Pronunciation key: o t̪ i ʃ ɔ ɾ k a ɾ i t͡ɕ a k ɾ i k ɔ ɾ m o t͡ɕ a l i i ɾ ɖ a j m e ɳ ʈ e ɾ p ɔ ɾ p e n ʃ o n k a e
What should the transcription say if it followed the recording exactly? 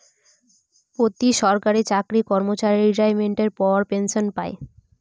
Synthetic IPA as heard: o t̪ i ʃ ɔ ɾ k a ɾ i t͡ɕ a k ɾ i k ɔ ɾ m o t͡ɕ a ɾ i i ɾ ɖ a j m e ɳ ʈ e ɾ p ɔ ɾ p e n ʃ o n p a e